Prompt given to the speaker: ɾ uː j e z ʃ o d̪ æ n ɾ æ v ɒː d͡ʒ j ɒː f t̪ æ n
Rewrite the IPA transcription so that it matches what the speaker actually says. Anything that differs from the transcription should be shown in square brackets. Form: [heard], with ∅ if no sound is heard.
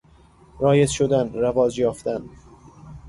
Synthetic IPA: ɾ [ɒː] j e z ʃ o d̪ æ n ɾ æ v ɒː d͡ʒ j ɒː f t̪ æ n